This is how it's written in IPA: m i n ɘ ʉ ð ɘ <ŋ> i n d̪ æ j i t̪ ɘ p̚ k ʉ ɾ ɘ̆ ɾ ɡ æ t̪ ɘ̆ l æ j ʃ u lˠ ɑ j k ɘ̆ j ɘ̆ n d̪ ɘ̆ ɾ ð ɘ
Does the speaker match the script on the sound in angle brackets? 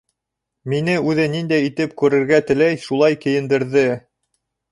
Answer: no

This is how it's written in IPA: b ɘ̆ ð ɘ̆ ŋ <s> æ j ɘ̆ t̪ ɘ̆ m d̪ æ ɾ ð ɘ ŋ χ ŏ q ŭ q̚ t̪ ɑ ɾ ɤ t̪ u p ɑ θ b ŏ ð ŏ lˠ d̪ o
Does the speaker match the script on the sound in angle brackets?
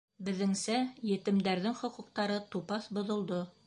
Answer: yes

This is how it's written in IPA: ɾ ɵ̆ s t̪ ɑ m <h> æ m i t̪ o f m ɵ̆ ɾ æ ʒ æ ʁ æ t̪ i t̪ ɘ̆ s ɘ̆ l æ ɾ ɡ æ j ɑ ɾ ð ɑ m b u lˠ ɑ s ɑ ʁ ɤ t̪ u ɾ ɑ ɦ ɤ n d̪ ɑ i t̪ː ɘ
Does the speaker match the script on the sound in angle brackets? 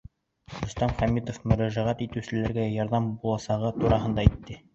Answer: no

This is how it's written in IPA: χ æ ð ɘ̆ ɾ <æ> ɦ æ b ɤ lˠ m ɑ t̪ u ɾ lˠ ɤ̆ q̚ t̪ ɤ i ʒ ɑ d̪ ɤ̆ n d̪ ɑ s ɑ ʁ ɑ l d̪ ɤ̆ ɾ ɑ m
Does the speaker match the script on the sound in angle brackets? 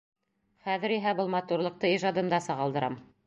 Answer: no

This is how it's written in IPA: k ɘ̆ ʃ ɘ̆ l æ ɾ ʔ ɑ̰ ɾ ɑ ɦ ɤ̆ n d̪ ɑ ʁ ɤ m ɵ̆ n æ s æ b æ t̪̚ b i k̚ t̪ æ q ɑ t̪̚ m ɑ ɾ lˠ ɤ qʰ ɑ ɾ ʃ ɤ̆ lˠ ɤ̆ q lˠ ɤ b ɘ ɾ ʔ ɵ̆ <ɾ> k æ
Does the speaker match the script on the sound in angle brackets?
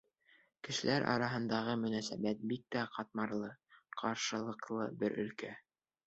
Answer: no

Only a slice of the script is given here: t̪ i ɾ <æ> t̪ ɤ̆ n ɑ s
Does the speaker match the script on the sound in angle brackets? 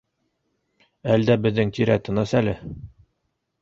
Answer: yes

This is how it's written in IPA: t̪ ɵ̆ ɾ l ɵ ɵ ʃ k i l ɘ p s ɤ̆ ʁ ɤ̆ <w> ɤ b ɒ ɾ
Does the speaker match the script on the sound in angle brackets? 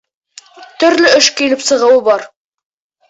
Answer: yes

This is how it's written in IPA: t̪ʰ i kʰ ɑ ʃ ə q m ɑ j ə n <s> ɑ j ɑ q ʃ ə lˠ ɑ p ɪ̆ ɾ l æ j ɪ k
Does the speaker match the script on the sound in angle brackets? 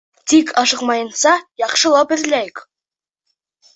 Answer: yes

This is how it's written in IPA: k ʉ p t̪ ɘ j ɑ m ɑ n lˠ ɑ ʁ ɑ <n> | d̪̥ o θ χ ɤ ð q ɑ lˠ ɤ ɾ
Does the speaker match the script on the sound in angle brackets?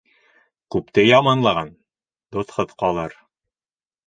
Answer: yes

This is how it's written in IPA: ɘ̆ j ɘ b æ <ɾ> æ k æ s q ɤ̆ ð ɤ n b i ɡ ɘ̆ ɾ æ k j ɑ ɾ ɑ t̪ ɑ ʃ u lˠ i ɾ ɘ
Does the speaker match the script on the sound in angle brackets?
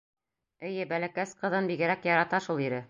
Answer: no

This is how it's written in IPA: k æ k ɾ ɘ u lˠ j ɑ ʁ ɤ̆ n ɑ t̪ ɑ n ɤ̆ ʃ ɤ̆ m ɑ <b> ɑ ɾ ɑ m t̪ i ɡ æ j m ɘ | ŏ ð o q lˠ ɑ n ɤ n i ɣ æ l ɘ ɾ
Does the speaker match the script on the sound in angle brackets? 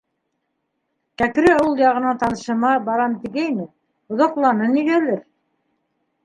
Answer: yes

